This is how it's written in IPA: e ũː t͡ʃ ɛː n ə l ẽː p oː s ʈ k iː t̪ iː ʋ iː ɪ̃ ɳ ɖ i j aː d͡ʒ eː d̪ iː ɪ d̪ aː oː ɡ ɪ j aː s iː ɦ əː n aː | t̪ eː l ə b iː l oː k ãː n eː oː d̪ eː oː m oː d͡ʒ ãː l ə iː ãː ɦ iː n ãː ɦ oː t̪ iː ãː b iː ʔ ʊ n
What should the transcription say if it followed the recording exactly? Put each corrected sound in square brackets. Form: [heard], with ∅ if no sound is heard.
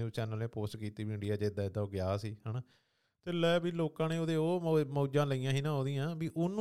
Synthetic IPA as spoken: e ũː t͡ʃ ɛː n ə l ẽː p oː s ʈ k iː t̪ iː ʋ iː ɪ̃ ɳ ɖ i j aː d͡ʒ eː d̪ [aː] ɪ d̪ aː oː ɡ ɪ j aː s iː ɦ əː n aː | t̪ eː l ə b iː l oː k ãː n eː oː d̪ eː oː m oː d͡ʒ ãː l ə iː ãː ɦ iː n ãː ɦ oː [d̪] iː ãː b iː ʔ ʊ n